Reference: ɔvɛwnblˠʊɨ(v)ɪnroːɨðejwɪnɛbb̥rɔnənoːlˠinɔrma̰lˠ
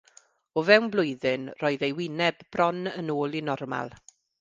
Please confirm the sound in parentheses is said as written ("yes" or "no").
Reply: no